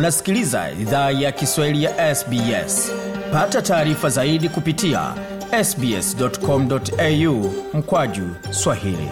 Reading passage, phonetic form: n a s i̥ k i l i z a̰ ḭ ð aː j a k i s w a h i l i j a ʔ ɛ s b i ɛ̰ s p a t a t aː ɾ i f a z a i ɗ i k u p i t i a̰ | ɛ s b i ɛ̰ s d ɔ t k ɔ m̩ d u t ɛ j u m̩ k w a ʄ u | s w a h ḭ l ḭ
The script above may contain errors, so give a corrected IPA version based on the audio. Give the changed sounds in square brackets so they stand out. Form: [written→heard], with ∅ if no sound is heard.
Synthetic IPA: n a s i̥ k i l i z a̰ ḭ ð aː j a k i s w a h i l i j a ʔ ɛ s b i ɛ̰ s p a t a t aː ɾ i f a z a i ɗ i k u p i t i a̰ | ɛ s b i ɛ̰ s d ɔ t k ɔ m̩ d [u→ɔ] t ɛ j u m̩ k w a ʄ u | s w a h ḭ l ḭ